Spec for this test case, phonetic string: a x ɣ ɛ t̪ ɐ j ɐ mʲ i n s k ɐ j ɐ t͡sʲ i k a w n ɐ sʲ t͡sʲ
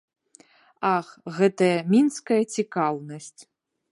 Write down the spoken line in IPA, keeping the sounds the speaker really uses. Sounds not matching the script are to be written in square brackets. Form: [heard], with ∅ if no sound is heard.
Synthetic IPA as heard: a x ɣ ɛ t̪ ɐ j ɐ mʲ i n s k ɐ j ɐ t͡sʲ i k a w n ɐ sʲ t͡sʲ